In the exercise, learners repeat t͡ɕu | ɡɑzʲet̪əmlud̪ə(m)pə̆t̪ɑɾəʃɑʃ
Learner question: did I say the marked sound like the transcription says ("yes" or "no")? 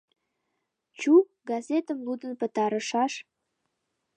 no